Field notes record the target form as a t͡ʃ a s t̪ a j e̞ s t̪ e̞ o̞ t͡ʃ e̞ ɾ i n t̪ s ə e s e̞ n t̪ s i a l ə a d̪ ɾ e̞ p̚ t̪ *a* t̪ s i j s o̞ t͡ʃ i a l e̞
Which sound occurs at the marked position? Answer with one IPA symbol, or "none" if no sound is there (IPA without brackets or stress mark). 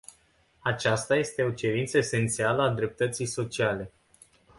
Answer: ə